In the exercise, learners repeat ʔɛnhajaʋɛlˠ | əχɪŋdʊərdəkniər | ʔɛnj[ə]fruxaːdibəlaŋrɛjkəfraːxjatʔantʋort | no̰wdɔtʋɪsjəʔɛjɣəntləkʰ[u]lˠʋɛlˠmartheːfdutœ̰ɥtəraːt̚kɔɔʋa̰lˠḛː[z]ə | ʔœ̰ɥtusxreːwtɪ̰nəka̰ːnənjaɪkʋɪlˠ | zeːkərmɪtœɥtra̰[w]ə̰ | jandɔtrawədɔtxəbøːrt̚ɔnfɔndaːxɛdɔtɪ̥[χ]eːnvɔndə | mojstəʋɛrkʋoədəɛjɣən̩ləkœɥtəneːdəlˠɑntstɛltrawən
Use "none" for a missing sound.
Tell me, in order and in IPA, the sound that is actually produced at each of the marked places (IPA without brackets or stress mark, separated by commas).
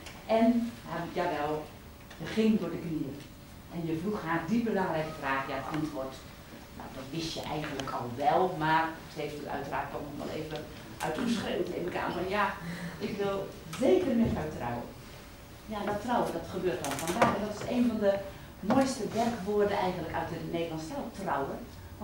ə, ɔ, v, w, s